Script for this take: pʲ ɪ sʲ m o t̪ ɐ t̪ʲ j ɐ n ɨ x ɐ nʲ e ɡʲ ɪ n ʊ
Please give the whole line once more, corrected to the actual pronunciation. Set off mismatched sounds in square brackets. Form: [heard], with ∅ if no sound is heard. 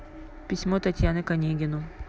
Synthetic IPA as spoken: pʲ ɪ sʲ m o t̪ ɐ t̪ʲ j [a] n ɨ [k] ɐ nʲ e ɡʲ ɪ n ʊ